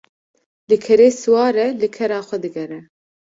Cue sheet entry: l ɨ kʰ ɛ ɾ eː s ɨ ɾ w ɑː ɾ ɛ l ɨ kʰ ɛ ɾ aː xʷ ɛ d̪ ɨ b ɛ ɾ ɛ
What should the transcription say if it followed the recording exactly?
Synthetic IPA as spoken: l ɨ kʰ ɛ ɾ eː s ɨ w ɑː ɾ ɛ l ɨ kʰ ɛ ɾ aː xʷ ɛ d̪ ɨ ɡ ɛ ɾ ɛ